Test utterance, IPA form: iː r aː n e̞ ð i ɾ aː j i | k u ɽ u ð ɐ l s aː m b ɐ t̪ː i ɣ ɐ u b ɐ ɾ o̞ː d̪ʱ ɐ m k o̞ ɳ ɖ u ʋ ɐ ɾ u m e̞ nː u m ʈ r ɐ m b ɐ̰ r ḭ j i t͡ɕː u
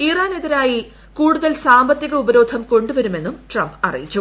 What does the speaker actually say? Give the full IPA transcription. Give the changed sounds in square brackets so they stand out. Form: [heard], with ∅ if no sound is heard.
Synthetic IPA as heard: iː r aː n e̞ ð i ɾ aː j i | k [uː] ɽ u ð ɐ l s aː m b ɐ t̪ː i ɣ ɐ u b ɐ ɾ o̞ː d̪ʱ ɐ m k o̞ ɳ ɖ u ʋ ɐ ɾ u m e̞ nː u m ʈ r ɐ m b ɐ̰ r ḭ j i t͡ɕː u